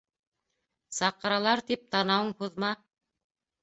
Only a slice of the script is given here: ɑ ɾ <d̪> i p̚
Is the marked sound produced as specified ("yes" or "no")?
no